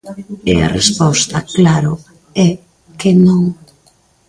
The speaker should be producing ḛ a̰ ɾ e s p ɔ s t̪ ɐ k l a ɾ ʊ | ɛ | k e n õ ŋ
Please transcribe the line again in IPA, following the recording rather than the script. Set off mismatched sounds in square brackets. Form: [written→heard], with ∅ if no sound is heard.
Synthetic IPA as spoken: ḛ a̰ [ɾ→r] e s p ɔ s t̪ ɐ k l a ɾ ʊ | ɛ | k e n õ ŋ